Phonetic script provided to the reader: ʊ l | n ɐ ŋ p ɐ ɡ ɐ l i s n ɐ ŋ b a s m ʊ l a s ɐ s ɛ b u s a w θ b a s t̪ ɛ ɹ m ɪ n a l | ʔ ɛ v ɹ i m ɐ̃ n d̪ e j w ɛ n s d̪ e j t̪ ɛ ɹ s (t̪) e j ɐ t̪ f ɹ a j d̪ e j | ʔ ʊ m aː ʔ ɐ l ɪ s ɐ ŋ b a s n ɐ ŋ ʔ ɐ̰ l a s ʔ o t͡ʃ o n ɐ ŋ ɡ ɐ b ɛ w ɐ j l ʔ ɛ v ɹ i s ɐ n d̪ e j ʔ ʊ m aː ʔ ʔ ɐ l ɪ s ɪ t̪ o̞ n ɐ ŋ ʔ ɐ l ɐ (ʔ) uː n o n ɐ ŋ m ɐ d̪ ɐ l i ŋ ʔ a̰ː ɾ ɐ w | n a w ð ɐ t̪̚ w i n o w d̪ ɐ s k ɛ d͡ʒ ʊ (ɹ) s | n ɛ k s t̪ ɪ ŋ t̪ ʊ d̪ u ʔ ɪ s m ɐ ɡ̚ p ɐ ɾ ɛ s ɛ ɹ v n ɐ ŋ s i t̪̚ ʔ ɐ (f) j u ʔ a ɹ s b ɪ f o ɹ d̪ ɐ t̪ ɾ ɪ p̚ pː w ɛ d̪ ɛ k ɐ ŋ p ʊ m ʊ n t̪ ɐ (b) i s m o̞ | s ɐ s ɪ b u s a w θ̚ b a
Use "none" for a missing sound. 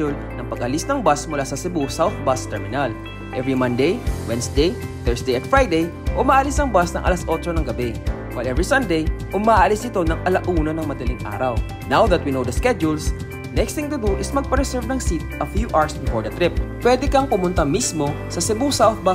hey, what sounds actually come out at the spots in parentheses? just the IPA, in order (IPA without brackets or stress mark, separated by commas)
d̪, ʔ, l, f, m